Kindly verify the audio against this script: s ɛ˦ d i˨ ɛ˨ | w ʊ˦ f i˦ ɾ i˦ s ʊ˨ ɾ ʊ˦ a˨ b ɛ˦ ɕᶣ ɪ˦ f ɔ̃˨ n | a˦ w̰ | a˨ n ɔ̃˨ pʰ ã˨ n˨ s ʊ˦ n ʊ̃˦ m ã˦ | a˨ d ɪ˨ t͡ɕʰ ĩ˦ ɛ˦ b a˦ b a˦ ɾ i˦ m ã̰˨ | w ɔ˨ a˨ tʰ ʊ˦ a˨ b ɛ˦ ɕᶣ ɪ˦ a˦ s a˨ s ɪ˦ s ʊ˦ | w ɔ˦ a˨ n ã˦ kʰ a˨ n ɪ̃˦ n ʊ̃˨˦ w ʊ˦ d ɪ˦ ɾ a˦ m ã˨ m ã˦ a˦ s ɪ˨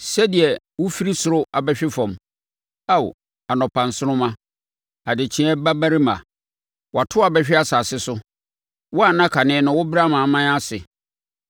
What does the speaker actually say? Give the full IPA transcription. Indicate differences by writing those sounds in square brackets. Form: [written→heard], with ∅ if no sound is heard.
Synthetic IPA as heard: s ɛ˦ d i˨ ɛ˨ | w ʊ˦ f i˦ ɾ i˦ s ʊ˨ ɾ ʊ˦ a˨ b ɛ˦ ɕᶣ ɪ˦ f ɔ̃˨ [n→m] | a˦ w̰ | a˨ n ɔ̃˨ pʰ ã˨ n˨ s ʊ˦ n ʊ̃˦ m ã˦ | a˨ d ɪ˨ t͡ɕʰ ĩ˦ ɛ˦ b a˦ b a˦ ɾ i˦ m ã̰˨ | w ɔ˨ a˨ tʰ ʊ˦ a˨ b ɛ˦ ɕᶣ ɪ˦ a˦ s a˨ s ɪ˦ s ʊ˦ | w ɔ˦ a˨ n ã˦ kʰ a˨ n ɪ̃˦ n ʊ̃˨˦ w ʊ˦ [d→b] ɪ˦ ɾ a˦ m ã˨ m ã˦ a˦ s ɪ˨

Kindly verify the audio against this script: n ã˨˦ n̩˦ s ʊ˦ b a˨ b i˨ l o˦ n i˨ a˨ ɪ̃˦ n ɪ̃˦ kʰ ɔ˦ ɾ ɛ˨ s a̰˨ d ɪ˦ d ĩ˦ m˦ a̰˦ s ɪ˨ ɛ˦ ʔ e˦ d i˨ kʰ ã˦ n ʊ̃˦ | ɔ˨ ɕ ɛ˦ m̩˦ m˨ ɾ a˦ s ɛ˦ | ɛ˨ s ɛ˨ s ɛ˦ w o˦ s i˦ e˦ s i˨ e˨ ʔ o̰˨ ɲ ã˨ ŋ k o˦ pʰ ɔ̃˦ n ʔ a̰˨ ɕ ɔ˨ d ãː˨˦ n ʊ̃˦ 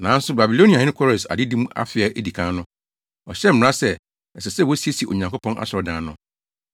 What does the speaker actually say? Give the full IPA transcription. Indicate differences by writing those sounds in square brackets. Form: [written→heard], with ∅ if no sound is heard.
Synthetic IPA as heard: n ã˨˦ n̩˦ s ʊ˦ b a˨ b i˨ l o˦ n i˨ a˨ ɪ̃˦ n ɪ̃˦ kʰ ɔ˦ ɾ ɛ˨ s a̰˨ d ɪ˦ d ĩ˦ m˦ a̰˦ [s→f] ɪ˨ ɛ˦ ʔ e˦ d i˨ kʰ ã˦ n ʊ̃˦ | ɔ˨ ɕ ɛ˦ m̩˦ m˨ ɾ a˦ s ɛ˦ | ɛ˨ s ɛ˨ s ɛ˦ w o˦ s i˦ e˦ s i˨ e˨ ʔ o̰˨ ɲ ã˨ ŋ k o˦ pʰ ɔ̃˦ n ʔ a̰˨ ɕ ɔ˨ d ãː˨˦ n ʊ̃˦

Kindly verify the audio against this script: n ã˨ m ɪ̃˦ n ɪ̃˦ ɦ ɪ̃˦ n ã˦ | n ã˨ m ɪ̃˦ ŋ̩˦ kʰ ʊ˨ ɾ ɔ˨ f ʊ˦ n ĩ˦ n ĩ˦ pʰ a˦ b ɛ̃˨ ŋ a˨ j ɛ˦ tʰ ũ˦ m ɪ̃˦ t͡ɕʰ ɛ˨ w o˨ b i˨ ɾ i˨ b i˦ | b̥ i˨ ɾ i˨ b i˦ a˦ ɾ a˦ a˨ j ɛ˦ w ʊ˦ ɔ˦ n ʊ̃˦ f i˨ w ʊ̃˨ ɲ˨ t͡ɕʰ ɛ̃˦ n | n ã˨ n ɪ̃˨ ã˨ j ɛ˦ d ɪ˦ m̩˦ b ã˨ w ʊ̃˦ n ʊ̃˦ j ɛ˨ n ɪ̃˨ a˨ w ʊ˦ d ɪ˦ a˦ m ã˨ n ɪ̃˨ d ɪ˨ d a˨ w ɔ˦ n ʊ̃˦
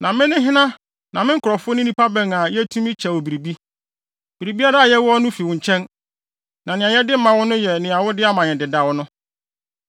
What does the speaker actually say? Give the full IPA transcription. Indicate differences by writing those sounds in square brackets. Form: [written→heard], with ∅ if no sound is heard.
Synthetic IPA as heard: n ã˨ m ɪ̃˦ n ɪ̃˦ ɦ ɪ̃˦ n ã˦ | n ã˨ m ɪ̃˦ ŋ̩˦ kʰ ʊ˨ ɾ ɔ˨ f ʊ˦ n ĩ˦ n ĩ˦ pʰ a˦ b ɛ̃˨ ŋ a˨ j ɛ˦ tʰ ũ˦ m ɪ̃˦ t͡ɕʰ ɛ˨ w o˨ b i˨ ɾ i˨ b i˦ | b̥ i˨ ɾ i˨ b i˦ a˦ ɾ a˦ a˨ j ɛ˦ w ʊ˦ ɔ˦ n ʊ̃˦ f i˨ w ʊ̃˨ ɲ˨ t͡ɕʰ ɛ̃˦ n | n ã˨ n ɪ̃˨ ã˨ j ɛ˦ d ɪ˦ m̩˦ [b→m] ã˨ w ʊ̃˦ n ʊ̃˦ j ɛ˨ n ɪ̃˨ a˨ w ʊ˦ d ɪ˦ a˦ m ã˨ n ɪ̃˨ d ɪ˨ d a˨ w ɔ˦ n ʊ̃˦

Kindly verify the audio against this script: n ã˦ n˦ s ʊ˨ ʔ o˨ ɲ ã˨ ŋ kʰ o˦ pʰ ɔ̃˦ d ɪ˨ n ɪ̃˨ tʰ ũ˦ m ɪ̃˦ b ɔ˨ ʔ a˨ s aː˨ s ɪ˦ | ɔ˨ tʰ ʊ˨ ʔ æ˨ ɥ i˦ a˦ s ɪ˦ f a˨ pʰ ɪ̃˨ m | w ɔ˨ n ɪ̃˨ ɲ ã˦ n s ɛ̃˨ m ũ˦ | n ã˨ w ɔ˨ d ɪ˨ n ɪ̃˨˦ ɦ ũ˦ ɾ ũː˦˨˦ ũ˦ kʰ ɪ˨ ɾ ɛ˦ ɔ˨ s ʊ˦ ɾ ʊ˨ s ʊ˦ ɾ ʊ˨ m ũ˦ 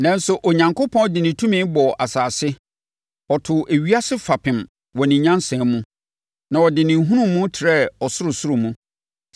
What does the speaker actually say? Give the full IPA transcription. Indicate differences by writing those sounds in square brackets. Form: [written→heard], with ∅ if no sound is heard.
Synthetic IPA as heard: n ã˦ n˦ s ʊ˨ ʔ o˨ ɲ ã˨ ŋ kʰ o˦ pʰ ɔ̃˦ d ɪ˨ n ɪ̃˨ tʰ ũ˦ m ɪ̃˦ b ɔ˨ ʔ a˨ s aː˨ s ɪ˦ | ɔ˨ tʰ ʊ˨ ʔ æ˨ ɥ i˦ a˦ s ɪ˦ f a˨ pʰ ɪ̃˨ m | w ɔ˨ n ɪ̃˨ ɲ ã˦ n s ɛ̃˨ m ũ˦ | n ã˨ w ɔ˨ d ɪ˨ n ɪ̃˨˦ ɦ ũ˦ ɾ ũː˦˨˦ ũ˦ [kʰ→tʰ] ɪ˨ ɾ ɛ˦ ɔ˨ s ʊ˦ ɾ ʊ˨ s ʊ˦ ɾ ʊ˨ m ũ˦

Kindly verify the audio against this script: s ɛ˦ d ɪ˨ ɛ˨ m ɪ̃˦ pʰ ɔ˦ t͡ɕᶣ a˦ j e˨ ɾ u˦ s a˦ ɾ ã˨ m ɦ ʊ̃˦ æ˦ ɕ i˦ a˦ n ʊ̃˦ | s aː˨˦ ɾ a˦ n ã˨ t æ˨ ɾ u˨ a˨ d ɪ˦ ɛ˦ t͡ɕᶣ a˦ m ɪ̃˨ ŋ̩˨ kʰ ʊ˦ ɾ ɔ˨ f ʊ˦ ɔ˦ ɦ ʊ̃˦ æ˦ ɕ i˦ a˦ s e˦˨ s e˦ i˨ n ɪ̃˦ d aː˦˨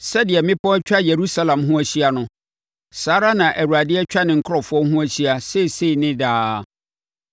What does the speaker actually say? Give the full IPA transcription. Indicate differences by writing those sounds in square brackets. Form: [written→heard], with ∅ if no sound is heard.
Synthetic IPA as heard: s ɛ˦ d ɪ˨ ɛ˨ m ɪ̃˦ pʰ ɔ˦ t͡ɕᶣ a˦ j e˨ ɾ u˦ s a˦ [ɾ→l] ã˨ m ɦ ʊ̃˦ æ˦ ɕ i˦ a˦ n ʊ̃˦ | s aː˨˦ ɾ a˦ n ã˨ [t→ʔ] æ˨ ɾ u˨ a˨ d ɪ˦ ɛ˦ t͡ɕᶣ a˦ [m→n] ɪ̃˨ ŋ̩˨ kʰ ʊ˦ ɾ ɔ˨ f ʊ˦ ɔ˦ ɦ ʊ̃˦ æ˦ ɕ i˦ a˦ s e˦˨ s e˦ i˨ n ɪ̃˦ d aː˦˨

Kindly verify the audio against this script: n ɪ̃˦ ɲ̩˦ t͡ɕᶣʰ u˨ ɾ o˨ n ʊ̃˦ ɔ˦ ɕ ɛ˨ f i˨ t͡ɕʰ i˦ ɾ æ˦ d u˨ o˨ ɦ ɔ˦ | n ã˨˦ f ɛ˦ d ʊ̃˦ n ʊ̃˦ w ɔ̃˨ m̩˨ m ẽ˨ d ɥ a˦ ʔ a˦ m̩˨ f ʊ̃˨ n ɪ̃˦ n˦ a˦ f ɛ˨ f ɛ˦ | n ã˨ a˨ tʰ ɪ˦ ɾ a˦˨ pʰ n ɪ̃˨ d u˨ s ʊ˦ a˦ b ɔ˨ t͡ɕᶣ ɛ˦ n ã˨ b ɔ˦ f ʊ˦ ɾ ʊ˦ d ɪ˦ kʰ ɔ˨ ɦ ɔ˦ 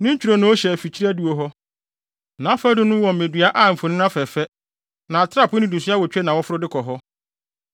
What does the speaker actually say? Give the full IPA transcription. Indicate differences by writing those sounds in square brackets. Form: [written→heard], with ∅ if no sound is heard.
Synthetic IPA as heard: n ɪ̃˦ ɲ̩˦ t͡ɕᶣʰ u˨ ɾ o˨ n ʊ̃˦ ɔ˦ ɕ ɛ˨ f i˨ t͡ɕʰ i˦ ɾ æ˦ d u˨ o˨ ɦ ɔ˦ | n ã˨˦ f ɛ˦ d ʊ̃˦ n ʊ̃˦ w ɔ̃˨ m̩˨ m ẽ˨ d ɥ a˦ ʔ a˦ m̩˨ f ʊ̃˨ n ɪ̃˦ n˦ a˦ f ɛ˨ f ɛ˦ | n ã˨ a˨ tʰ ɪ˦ ɾ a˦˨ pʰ n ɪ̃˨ d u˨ s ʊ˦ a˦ [b→w] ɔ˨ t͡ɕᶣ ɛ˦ n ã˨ [b→w] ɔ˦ f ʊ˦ ɾ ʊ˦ d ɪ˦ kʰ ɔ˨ ɦ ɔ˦

